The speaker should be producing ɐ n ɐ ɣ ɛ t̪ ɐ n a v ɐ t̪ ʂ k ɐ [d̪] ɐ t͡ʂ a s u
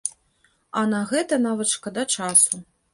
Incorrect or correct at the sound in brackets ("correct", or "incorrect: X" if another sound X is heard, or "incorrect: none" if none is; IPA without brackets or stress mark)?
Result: correct